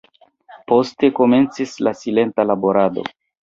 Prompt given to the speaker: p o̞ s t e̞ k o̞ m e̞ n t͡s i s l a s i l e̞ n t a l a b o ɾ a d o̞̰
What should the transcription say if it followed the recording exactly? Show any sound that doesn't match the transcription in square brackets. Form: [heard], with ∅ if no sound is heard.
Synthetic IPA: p o̞ s t e̞ k o̞ m e̞ n t͡s i s l a s i l e̞ n t a l a b o ɾ a d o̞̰